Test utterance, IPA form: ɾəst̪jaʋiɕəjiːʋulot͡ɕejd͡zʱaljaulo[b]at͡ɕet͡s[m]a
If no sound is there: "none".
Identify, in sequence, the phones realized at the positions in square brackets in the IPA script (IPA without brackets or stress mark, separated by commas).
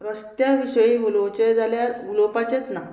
p, n